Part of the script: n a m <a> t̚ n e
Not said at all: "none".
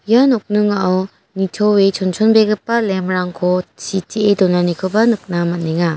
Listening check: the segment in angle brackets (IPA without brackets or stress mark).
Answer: a